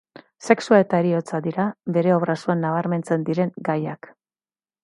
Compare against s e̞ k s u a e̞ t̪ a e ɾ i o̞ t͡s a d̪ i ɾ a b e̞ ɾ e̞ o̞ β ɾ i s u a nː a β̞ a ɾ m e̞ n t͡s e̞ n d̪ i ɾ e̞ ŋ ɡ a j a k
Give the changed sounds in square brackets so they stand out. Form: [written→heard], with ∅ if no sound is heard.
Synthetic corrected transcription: s e̞ k s u a e̞ t̪ a e ɾ i o̞ t͡s a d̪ i ɾ a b e̞ ɾ e̞ o̞ β ɾ [i→a] s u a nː a β̞ a ɾ m e̞ n t͡s e̞ n d̪ i ɾ e̞ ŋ ɡ a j a k